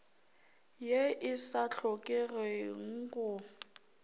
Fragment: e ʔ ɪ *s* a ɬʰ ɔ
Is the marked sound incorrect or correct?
correct